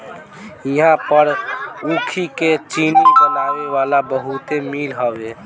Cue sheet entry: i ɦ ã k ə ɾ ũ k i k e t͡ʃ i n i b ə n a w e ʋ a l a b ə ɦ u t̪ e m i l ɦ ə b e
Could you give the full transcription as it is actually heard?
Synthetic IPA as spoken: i ɦ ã p ə ɾ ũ kʰ i k e t͡ʃ i n i b ə n a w e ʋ a l a b ə ɦ u t̪ e m i l ɦ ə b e